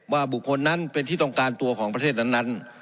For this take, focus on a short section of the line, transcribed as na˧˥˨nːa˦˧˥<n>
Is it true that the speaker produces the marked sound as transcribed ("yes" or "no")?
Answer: yes